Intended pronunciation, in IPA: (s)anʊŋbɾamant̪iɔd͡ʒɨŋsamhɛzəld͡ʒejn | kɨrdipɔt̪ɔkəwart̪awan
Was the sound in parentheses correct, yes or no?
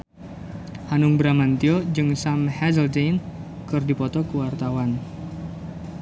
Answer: no